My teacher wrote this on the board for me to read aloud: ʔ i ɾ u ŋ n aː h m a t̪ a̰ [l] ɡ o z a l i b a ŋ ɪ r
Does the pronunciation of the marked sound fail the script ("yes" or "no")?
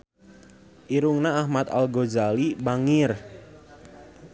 no